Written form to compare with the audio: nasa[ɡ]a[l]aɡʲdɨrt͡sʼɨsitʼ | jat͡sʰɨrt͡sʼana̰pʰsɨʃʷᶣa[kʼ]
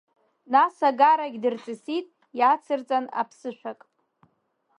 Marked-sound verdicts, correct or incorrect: correct, incorrect, correct

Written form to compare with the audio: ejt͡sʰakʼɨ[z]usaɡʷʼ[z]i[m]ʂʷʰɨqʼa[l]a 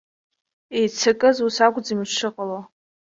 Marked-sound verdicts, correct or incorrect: correct, incorrect, correct, correct

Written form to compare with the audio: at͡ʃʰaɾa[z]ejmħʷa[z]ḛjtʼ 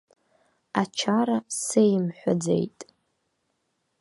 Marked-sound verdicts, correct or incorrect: incorrect, incorrect

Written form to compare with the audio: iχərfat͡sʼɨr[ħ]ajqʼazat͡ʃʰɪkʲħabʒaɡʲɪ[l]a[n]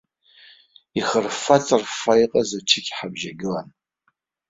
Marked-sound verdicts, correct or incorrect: incorrect, correct, correct

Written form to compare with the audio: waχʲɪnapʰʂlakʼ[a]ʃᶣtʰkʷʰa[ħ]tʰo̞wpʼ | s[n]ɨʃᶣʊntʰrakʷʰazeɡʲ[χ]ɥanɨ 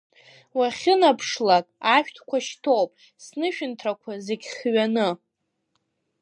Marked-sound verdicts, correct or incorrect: correct, incorrect, correct, correct

